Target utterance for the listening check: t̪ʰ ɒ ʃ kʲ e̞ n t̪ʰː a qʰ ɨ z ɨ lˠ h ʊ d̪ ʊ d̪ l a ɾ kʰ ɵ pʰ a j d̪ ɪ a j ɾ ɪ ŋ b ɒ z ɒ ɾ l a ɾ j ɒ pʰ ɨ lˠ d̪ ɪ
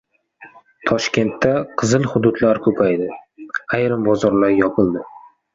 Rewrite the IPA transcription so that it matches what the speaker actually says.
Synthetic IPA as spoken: t̪ʰ ɒ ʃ kʲ e̞ n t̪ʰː a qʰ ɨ z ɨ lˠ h ʊ d̪ ʊ d̪ l a ɾ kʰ ɵ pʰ a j d̪ ɪ a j ɾ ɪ m b ɒ z ɒ ɾ l a ɾ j ɒ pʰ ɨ lˠ d̪ ɪ